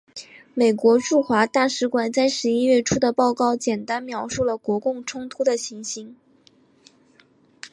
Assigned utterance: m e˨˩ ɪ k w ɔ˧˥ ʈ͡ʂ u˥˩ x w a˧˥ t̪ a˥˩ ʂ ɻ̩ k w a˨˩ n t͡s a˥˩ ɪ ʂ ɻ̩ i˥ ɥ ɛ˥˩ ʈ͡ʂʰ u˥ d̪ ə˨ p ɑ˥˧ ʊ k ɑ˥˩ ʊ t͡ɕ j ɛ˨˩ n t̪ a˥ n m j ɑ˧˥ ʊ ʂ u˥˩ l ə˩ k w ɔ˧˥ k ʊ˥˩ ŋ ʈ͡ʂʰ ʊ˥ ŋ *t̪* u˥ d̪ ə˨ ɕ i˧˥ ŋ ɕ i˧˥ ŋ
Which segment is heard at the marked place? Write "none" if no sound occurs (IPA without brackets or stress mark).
t̪ʰ